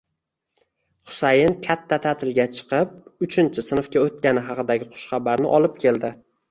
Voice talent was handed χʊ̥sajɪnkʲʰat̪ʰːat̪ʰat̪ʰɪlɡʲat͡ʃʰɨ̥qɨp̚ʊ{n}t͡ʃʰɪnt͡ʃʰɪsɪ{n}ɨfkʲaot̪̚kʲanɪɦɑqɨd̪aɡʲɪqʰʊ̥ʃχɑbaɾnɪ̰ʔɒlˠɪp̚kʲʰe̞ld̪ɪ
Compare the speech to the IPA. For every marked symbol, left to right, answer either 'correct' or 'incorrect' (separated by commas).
incorrect, correct